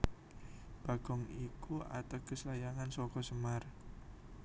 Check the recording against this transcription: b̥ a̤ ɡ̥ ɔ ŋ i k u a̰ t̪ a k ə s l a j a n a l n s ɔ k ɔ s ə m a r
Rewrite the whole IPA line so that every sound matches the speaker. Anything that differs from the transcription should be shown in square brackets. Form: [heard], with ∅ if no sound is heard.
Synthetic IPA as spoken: b̥ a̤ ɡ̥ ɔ ŋ i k u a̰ t̪ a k ə s l a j a [ŋ] a [∅] n s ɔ k ɔ s ə m a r